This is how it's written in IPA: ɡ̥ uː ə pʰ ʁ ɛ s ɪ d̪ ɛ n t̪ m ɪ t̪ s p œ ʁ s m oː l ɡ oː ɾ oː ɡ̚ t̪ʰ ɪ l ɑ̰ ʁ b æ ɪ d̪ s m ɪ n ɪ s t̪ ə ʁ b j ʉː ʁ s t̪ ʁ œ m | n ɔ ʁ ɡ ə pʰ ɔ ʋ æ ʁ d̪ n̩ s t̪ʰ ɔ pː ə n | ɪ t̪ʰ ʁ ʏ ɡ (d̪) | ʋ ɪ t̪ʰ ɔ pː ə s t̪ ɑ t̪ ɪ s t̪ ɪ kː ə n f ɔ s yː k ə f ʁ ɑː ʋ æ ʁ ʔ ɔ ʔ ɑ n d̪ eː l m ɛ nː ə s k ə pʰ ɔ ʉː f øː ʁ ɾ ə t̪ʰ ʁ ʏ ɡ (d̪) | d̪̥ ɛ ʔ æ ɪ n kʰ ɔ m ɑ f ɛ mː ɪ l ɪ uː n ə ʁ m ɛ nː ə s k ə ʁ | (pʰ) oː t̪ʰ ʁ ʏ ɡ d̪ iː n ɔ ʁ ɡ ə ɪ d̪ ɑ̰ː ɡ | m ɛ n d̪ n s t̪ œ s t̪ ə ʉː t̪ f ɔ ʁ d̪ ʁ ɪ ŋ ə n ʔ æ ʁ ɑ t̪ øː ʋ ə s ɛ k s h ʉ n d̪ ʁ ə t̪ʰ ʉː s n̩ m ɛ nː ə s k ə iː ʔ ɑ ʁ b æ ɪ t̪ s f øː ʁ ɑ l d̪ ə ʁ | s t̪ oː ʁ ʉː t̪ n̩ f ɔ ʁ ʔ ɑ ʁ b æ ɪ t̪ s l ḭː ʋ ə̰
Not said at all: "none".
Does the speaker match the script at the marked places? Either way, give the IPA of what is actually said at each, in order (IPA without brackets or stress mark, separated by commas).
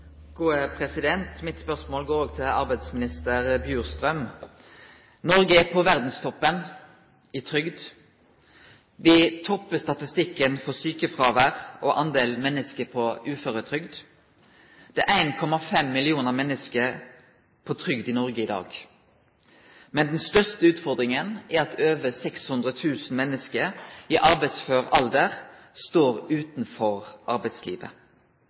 d̪, d̪, pʰ